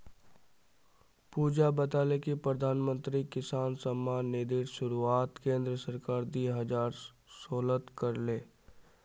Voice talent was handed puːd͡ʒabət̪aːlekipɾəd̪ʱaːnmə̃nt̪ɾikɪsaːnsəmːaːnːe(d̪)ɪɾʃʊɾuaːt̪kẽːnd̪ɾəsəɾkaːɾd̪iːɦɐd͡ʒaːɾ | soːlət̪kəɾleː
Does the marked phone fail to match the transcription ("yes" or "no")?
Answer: no